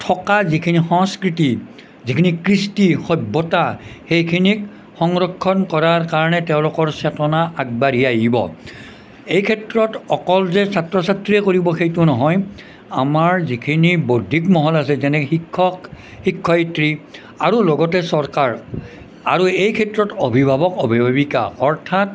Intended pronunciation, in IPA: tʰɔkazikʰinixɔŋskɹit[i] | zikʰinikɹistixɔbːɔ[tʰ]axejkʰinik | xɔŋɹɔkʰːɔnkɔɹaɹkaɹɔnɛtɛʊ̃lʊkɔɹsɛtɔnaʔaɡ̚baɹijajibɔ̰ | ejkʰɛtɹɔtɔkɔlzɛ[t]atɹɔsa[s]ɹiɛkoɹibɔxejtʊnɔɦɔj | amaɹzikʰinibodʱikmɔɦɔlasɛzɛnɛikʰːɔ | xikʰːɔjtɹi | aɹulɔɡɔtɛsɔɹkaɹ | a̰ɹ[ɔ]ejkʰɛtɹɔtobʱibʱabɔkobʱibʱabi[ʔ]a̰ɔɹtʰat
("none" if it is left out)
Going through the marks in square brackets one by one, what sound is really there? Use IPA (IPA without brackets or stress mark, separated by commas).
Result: i, t, s, t, u, k